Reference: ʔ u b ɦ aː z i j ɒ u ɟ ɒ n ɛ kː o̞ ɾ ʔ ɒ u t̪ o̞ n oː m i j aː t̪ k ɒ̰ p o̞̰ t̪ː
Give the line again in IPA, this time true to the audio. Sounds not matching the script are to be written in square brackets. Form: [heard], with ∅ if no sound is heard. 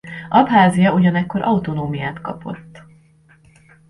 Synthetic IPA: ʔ [ɒ] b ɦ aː z i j ɒ u ɟ ɒ n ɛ kː o̞ ɾ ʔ ɒ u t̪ o̞ n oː m i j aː t̪ k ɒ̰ p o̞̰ t̪ː